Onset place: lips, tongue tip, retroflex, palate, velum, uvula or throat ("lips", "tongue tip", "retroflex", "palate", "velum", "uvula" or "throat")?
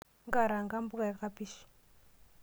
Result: velum